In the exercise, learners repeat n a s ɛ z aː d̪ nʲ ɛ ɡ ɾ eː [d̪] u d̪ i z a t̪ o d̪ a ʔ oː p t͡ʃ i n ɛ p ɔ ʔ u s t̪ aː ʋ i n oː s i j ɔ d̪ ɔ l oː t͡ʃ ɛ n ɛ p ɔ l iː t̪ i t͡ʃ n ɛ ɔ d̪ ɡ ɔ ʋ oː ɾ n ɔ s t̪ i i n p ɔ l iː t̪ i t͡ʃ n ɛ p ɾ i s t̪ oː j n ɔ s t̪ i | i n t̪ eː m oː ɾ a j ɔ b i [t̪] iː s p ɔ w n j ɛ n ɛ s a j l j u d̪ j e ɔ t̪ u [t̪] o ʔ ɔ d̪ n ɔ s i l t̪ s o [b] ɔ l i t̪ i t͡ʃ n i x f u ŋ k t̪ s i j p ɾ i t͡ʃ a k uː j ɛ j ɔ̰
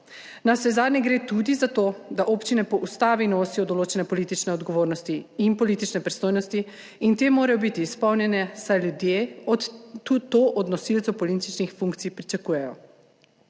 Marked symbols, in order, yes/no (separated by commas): no, yes, yes, no